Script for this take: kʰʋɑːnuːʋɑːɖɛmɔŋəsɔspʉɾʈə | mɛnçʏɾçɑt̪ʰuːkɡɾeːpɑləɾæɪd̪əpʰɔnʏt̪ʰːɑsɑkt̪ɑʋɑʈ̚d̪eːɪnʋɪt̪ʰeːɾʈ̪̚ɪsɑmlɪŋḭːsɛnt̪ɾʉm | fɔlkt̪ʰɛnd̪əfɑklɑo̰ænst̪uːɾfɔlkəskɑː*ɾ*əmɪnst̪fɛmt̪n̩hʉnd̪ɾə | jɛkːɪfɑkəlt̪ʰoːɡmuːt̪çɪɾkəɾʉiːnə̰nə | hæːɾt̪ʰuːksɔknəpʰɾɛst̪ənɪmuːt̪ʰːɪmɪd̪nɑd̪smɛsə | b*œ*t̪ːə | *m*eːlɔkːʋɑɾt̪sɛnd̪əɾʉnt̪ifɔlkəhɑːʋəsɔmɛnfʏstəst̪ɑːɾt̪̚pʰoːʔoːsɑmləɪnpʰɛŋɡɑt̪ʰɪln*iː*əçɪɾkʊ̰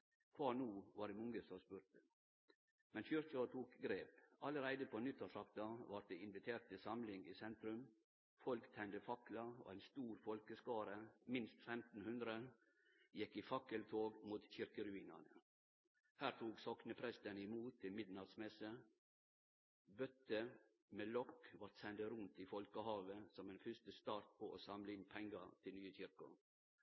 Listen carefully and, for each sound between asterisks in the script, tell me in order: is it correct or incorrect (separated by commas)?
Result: correct, correct, correct, incorrect